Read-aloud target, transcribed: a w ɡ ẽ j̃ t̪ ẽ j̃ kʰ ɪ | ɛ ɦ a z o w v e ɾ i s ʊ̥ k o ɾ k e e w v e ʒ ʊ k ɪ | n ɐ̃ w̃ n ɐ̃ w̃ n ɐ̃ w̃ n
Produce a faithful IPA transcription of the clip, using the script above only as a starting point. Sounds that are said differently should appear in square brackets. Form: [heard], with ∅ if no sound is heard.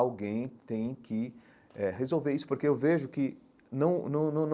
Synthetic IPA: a w ɡ ẽ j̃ t̪ ẽ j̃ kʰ ɪ | ɛ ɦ [e] z o w v e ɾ i s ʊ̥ [p] o ɾ k e e w v e ʒ ʊ k ɪ | n ɐ̃ w̃ n ɐ̃ w̃ n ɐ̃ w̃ n